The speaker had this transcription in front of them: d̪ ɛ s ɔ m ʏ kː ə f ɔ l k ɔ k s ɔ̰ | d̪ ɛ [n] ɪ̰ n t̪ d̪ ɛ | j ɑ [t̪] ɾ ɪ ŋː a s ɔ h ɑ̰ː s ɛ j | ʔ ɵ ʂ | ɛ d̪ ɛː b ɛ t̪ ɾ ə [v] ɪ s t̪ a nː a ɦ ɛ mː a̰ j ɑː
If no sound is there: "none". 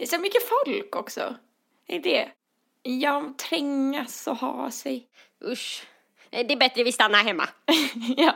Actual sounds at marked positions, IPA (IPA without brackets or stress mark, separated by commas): none, t̪ʰ, v